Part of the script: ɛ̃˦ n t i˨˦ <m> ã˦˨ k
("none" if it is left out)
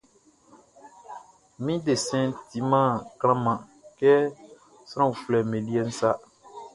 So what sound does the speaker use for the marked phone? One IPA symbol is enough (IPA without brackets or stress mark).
m